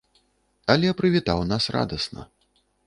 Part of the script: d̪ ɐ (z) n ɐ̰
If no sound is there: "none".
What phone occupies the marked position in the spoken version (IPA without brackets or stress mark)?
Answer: s